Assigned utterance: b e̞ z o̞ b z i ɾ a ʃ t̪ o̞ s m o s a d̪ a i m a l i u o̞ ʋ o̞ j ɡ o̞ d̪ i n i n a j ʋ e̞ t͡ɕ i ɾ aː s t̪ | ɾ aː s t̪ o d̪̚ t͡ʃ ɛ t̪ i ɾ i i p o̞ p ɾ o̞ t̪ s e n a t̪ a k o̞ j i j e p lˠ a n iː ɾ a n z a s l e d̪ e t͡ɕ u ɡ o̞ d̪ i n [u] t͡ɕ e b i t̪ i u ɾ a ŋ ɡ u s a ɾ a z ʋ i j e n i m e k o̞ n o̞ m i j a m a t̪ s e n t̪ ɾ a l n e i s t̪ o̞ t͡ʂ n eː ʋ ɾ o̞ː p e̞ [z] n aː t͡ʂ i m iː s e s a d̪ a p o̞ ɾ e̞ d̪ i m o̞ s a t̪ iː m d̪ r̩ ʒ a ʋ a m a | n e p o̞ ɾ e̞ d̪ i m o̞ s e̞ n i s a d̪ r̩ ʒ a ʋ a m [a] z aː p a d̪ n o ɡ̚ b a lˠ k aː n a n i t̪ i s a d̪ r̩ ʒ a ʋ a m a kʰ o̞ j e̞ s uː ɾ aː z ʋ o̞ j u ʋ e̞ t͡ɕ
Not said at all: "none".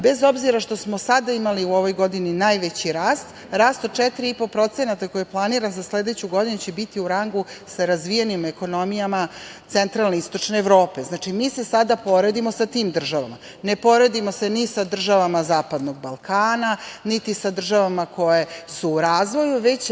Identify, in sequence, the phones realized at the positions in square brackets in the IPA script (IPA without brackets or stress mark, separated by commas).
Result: u, z, a